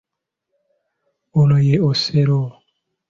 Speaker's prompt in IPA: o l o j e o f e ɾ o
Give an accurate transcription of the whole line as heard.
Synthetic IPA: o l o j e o s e ɾ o